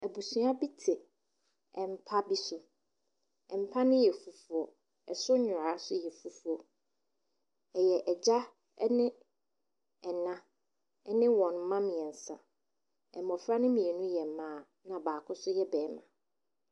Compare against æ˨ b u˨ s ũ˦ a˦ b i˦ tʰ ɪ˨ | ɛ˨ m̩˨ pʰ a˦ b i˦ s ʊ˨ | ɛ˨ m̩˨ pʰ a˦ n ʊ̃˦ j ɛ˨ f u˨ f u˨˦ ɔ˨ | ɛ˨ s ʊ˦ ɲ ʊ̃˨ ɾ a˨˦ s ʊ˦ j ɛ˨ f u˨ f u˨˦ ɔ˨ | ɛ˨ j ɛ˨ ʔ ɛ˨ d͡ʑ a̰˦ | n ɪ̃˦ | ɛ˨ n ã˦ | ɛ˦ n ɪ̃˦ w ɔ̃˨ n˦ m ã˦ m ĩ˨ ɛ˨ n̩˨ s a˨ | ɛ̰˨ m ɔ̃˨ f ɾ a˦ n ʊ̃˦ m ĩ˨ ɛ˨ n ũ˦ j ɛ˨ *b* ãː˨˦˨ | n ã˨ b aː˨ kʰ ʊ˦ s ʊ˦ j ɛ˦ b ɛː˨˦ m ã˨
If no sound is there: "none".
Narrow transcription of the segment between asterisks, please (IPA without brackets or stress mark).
m